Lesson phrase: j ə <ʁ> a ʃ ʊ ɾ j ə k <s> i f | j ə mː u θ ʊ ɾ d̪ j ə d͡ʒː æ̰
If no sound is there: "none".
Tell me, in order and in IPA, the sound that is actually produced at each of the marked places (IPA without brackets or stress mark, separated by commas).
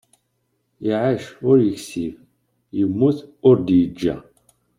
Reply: ʕ, s